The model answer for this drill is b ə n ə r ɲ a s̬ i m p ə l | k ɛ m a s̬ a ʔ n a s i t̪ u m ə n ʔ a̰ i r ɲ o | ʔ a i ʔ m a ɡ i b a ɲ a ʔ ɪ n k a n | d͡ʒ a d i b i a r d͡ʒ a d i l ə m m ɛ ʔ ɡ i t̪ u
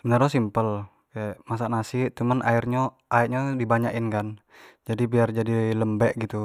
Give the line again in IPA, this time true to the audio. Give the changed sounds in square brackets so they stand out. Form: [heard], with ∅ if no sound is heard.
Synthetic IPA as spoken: b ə n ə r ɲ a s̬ i m p ə l | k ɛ m a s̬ a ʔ n a s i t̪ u m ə n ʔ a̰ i r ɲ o | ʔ a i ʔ [ɲ] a [d] i b a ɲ a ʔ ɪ n k a n | d͡ʒ a d i b i a r d͡ʒ a d i l ə m [b] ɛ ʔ ɡ i t̪ u

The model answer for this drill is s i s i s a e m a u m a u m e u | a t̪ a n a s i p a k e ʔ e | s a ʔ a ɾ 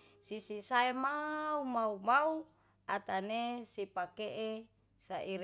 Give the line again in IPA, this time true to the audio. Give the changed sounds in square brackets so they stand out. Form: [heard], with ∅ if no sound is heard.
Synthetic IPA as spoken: s i s i s a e m a u m a u m [a] u | a t̪ a n [e] s i p a k e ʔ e | s a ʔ [i] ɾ

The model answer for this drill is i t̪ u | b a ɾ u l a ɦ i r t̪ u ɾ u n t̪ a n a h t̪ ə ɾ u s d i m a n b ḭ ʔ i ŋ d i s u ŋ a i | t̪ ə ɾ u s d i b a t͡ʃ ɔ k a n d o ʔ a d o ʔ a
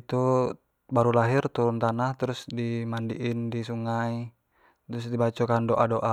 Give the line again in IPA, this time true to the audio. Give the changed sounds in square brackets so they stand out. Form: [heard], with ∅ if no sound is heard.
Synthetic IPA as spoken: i t̪ u | b a ɾ u l a ɦ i r t̪ u ɾ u n t̪ a n a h t̪ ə ɾ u s d i m a n [d] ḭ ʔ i [n] d i s u ŋ a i | t̪ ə ɾ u s d i b a t͡ʃ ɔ k a n d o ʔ a d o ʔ a

